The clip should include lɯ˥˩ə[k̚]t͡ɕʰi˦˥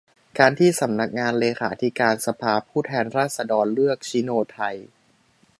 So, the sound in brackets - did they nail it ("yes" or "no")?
yes